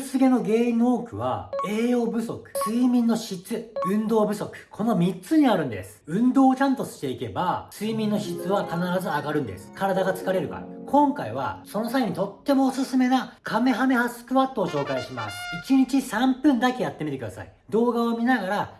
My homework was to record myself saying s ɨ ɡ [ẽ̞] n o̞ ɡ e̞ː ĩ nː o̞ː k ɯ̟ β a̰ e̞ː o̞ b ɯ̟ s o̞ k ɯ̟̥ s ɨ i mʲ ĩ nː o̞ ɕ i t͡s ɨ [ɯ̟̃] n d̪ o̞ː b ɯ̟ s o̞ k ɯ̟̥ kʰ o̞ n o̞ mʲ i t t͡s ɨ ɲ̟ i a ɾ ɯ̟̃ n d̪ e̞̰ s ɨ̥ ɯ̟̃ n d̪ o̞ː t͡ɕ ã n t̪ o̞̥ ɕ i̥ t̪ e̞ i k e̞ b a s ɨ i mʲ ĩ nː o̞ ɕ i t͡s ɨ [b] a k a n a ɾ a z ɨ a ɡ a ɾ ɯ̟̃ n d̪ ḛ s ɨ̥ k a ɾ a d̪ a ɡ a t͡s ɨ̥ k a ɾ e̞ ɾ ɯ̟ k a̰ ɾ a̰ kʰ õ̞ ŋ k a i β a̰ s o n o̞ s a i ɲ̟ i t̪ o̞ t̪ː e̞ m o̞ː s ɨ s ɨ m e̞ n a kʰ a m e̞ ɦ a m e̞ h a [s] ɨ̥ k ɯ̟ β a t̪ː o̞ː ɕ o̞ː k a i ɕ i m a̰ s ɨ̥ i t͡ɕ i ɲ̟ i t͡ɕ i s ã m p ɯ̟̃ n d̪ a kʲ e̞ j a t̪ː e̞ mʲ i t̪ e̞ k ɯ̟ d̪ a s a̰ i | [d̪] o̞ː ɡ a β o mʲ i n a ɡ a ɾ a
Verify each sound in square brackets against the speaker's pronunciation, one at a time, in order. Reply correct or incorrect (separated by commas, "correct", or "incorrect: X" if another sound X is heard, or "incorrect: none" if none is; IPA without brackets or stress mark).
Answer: incorrect: e̞, correct, incorrect: β, correct, correct